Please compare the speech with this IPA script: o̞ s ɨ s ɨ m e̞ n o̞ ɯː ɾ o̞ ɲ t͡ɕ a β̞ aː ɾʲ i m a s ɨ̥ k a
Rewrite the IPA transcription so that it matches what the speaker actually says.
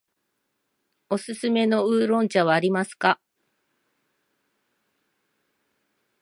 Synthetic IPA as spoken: o̞ s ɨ s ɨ m e̞ n o̞ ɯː ɾ õ̞ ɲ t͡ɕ a β̞ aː ɾʲ i m a s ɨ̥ k a